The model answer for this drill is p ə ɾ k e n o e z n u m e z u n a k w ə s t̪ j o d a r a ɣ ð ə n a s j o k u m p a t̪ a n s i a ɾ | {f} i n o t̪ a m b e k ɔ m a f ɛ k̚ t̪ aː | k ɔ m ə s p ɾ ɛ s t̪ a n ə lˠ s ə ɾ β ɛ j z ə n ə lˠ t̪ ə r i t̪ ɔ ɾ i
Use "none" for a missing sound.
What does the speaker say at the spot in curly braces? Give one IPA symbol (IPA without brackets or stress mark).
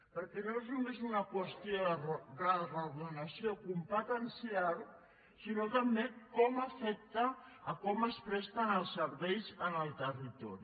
s